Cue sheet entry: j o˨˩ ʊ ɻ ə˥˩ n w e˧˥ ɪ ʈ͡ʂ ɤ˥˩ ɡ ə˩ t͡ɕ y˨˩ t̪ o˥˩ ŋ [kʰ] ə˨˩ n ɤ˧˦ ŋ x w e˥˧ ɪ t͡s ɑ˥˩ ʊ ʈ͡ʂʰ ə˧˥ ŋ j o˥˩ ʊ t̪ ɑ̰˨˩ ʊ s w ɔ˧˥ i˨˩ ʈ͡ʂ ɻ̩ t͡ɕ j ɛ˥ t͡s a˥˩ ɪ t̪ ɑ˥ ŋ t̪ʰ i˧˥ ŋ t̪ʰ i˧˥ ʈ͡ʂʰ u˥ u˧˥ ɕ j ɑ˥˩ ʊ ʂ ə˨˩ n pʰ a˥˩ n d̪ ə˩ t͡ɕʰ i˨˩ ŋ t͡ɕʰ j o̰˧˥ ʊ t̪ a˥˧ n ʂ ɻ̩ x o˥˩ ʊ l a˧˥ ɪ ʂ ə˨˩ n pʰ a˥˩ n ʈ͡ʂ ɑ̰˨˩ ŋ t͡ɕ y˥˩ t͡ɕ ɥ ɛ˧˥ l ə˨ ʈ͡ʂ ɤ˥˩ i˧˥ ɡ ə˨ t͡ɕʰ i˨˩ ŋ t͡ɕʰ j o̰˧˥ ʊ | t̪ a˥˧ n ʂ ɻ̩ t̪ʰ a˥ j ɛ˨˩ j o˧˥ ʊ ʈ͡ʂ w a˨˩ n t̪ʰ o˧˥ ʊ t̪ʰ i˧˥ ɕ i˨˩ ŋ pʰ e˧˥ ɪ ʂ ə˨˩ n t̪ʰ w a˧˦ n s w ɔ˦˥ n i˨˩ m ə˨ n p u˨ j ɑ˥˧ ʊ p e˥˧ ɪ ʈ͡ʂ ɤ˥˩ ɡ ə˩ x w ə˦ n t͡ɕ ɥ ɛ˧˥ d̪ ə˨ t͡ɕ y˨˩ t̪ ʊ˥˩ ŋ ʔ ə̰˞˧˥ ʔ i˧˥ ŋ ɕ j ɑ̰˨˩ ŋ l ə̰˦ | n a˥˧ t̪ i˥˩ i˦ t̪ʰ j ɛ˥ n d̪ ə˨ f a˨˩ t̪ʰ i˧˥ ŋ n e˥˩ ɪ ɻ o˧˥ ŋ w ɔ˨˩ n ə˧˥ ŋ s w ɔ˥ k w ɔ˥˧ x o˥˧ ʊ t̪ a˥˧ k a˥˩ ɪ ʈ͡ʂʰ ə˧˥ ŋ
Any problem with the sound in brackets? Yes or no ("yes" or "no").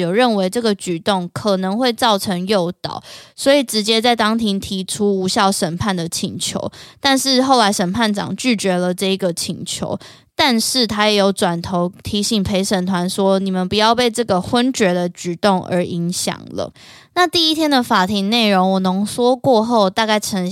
no